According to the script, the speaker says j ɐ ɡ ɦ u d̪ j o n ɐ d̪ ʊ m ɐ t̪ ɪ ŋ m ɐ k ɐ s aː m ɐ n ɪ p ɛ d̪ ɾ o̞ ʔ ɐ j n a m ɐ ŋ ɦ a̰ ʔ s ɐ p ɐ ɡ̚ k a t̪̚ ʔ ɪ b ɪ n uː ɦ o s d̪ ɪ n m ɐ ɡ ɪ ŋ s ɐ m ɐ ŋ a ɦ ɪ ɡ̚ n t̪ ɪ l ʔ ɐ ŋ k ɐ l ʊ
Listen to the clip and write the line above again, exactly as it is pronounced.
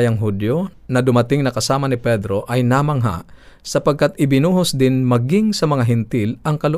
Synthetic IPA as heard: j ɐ ŋ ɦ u d̪ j o n ɐ d̪ ʊ m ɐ t̪ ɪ ŋ n ɐ k ɐ s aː m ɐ n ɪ p ɛ d̪ ɾ o̞ ʔ ɐ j n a m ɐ ŋ ɦ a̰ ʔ s ɐ p ɐ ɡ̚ k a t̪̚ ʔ ɪ b ɪ n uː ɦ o s d̪ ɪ n m ɐ ɡ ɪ ŋ s ɐ m ɐ ŋ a ɦ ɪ n t̪ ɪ l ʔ ɐ ŋ k ɐ l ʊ